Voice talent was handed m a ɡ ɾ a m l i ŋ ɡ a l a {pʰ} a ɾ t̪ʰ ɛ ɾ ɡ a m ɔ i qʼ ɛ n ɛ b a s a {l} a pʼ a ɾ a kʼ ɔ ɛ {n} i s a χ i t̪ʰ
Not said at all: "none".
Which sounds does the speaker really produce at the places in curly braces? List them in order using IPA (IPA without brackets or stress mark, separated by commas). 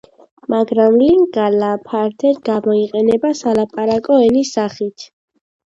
pʰ, l, n